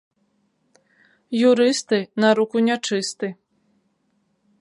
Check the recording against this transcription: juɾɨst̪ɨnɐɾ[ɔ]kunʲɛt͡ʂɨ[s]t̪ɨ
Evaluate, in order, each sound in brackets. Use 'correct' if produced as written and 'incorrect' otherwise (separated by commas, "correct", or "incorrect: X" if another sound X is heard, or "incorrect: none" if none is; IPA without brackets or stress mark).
incorrect: u, correct